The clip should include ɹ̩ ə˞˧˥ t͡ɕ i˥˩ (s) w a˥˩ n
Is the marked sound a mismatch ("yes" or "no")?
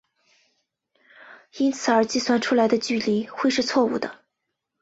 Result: no